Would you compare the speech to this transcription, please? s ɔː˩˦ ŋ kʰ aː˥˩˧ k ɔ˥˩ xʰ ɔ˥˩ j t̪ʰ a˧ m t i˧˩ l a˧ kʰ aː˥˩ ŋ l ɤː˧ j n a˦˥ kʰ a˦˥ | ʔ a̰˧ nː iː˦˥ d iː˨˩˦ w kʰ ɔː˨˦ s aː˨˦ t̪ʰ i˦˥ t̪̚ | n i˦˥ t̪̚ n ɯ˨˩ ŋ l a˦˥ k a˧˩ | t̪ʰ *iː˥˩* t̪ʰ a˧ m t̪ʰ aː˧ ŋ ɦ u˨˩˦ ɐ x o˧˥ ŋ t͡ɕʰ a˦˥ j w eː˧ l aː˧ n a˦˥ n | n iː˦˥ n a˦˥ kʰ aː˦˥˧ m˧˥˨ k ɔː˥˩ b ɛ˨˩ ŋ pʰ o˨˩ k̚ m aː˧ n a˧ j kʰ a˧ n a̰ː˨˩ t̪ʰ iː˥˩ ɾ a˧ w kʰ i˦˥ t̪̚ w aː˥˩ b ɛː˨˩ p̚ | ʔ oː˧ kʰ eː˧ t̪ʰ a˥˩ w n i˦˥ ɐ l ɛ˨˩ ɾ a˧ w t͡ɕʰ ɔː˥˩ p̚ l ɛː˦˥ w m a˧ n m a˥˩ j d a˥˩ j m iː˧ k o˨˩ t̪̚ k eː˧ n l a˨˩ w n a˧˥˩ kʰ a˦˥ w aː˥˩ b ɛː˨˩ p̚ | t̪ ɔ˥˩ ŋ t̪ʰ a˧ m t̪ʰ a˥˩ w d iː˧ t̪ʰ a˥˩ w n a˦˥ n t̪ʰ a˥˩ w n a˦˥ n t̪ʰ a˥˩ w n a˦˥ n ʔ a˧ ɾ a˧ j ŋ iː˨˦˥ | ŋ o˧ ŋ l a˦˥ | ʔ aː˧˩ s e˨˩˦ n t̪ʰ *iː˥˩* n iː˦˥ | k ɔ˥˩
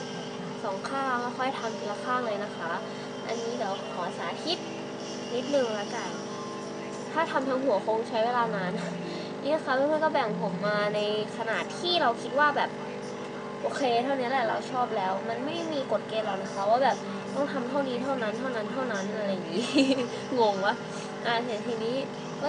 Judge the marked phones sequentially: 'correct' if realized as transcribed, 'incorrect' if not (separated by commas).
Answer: incorrect, incorrect